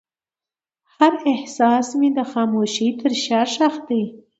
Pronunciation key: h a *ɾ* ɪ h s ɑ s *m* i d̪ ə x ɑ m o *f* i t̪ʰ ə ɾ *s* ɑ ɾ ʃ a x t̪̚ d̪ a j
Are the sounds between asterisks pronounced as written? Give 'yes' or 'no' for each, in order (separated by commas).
yes, yes, no, no